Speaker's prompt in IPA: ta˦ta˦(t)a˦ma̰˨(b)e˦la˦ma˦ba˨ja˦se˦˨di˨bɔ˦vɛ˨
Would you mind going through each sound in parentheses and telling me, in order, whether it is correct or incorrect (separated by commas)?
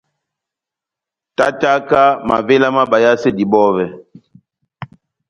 incorrect, incorrect